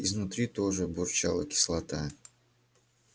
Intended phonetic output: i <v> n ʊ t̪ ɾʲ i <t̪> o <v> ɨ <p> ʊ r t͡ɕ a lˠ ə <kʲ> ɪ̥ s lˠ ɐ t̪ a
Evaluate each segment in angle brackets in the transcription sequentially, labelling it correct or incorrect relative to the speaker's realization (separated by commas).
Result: incorrect, correct, incorrect, incorrect, correct